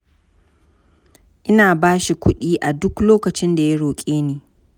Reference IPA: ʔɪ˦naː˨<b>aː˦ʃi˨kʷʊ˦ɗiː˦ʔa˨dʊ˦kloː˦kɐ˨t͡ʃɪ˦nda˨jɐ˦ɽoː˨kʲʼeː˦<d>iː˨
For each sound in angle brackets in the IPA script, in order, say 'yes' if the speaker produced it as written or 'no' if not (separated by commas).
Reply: yes, no